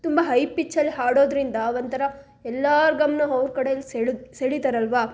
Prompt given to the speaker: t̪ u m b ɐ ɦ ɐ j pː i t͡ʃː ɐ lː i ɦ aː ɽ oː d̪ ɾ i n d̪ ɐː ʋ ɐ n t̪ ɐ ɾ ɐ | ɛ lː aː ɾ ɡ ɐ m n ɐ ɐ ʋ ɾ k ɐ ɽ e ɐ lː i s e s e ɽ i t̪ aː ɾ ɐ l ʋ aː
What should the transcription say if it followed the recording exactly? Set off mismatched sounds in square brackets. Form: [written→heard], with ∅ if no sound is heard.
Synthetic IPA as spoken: t̪ u m b ɐ ɦ ɐ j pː i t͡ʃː ɐ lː i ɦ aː ɽ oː d̪ ɾ i n d̪ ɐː ʋ ɐ n t̪ ɐ ɾ ɐ | ɛ lː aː ɾ ɡ ɐ m n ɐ ɐ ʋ ɾ k ɐ ɽ e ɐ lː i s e s e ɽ i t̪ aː ɾ ɐ l ʋ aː